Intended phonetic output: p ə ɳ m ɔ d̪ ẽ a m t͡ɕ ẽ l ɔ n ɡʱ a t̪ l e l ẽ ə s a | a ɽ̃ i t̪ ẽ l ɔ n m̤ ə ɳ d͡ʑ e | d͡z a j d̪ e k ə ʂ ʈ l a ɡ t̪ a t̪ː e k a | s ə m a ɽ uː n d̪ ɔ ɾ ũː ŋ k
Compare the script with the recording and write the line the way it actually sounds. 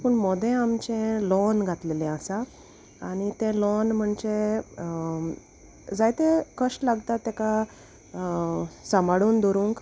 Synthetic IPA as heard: p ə ɳ m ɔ d̪ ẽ a m t͡ɕ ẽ l ɔ n ɡʱ a t̪ l e l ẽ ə s a | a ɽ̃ i t̪ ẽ l ɔ n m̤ ə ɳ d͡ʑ e | d͡z a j t̪ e k ə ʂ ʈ l a ɡ t̪ a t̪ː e k a | s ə m a ɽ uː n d̪ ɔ ɾ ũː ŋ k